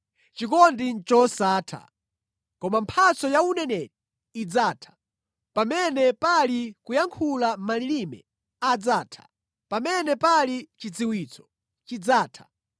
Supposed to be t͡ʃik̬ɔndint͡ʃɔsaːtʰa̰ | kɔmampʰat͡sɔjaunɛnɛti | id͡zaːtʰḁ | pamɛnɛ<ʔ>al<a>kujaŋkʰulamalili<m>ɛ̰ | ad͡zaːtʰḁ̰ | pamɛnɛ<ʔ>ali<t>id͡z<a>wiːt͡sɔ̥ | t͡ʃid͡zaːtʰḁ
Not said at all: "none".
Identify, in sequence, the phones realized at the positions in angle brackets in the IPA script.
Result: p, i, m, p, t͡ʃ, i

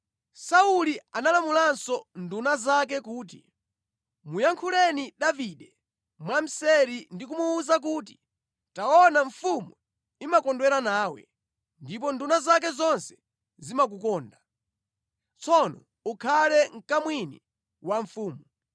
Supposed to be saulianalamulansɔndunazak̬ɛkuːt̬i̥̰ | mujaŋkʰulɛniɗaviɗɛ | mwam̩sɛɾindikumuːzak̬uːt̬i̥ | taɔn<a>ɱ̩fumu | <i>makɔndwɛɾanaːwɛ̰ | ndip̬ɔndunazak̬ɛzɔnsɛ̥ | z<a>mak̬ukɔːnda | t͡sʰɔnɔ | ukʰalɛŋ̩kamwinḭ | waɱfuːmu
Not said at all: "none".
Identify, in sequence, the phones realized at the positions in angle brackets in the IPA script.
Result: a, i, i

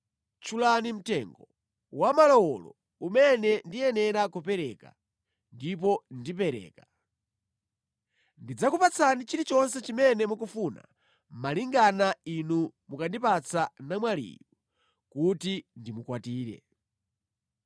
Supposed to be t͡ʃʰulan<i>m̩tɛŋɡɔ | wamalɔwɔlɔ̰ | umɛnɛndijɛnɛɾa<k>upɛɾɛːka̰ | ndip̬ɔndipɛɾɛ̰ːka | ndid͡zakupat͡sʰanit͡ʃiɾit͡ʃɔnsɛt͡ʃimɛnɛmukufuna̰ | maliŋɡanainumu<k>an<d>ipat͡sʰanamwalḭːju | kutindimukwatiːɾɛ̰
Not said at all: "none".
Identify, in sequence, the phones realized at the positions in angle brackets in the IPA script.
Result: i, k, k, d

